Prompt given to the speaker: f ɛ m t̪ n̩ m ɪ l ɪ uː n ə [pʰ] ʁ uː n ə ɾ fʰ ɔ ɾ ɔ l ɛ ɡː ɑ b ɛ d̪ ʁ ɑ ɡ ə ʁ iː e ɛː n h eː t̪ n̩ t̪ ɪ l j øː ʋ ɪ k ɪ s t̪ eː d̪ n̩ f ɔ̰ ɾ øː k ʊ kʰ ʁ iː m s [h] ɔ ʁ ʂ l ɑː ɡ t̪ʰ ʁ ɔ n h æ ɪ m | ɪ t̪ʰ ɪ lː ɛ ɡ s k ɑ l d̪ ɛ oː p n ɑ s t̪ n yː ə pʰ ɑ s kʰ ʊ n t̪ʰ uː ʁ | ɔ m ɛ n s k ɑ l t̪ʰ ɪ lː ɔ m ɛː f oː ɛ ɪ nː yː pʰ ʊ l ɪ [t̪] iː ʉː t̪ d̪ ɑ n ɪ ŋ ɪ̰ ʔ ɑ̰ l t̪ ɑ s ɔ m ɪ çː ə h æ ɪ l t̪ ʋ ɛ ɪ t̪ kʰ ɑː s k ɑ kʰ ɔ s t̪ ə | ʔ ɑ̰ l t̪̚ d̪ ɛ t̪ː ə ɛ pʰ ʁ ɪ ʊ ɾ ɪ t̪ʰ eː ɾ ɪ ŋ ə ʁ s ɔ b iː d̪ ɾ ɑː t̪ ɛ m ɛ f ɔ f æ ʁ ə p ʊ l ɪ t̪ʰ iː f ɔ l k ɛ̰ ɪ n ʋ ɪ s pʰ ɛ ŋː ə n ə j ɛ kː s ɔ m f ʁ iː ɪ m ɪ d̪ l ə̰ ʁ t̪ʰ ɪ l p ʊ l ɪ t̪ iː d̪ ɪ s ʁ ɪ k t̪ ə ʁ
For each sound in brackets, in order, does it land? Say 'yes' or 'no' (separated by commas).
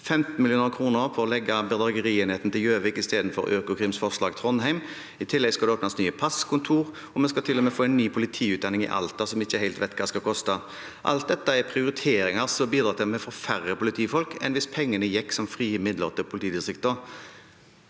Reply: no, no, no